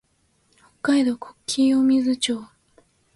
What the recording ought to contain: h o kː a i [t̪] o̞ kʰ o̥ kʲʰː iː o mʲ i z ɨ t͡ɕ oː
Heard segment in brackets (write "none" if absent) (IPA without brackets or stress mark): d̪